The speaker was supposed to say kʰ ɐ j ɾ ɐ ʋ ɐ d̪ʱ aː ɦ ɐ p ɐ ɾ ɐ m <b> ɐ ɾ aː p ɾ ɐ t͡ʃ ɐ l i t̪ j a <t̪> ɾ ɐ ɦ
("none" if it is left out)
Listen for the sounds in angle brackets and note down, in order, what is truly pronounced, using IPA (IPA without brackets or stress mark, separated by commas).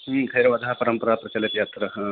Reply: p, t̪